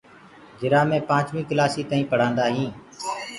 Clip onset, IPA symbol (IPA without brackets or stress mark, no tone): d͡ʒ